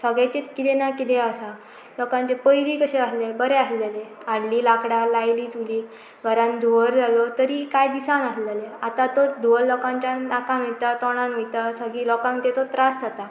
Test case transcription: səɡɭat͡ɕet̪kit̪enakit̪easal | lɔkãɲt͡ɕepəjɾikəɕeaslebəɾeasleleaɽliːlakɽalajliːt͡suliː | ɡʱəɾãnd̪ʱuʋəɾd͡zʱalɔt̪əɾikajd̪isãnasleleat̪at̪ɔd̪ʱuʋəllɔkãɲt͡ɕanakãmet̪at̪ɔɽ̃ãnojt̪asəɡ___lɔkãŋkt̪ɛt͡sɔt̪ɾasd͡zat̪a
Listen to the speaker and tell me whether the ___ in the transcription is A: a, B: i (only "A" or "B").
B